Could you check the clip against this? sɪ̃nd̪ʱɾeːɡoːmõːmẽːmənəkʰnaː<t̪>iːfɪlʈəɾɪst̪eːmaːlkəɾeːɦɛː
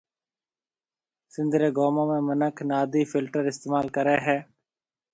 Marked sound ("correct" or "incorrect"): incorrect